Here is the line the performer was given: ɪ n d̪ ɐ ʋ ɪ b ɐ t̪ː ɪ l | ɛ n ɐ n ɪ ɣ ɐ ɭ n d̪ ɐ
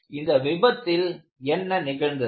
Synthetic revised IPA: ɪ n d̪ ɐ ʋ ɪ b ɐ t̪ː ɪ l | ɛ nː ɐ n ɪ ɣ ɐ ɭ n d̪ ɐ